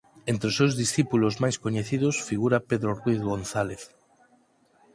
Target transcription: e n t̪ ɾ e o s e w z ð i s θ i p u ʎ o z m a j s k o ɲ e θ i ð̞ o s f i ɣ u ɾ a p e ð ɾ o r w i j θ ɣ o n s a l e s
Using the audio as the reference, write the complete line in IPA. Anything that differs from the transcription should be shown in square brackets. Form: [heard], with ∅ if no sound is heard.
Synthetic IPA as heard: e n t̪ ɾ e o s e w z ð i s θ i p u [l] o z m a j s k o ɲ e θ i ð̞ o s f i ɣ u ɾ a p e ð ɾ o r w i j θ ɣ o n [θ] a l e [θ]